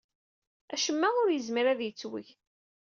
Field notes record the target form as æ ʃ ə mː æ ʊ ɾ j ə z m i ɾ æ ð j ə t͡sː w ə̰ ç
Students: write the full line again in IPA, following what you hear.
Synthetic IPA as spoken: æ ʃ ə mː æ ʊ ɾ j ə z m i ɾ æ ð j ə t͡sː w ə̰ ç